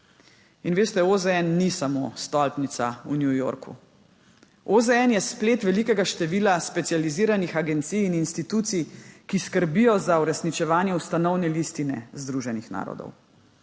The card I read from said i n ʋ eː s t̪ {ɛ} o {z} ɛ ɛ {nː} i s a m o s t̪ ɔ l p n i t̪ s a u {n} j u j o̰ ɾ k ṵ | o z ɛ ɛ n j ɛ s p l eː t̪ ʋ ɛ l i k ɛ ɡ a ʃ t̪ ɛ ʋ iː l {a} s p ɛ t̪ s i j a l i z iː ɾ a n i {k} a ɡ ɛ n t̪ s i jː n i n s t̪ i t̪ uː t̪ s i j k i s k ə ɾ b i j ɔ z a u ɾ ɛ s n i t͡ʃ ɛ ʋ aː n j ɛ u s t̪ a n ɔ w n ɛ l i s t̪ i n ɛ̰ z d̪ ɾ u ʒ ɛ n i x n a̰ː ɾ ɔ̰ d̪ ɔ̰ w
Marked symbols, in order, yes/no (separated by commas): yes, yes, yes, yes, yes, no